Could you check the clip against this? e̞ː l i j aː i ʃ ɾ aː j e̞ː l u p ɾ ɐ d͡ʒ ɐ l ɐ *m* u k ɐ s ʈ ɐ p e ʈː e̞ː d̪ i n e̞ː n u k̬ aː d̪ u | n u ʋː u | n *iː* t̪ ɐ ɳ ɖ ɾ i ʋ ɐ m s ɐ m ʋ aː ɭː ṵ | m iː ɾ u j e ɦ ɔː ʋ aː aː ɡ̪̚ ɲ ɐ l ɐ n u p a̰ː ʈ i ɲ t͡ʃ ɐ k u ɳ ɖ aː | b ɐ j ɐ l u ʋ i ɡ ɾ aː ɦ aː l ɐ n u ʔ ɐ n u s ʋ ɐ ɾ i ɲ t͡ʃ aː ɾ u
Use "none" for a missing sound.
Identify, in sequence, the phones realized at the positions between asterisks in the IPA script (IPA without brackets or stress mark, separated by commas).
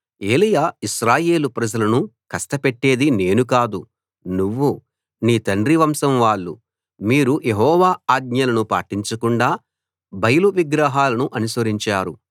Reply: n, iː